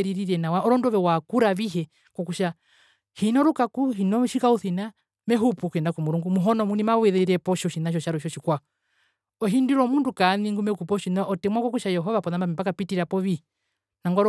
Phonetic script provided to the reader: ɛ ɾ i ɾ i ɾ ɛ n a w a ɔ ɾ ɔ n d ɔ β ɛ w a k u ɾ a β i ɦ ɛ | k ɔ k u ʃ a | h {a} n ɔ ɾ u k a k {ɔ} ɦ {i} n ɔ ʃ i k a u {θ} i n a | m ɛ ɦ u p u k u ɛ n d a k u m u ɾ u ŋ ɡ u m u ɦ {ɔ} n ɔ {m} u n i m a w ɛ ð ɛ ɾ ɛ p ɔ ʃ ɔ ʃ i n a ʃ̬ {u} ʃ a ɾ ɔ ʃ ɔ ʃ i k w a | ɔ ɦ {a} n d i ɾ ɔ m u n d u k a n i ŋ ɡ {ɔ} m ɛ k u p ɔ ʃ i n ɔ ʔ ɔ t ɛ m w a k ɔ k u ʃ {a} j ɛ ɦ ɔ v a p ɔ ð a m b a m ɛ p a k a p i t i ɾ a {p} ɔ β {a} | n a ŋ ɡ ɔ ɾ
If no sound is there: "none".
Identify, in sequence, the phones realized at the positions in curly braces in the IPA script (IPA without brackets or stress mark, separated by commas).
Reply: i, u, i, θ, ɔ, m, ɔ, i, u, a, p, i